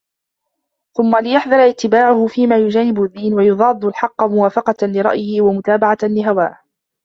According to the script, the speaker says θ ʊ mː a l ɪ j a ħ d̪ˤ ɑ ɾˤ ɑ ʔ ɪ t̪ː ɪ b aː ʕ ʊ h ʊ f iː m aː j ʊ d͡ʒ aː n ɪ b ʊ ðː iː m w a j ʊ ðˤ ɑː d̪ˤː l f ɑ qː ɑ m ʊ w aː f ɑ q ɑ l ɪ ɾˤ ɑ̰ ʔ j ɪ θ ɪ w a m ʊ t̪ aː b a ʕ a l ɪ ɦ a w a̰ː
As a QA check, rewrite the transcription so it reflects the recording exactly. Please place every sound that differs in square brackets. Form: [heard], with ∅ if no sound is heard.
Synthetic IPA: θ ʊ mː a l ɪ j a ħ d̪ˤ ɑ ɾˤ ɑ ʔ ɪ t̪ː ɪ b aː ʕ ʊ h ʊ f iː m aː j ʊ d͡ʒ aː n ɪ b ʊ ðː iː [n] w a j ʊ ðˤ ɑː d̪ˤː l [ħ] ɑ qː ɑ m ʊ w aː f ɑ q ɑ l ɪ ɾˤ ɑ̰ ʔ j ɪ [h] ɪ w a m ʊ t̪ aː b a ʕ a l ɪ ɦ a w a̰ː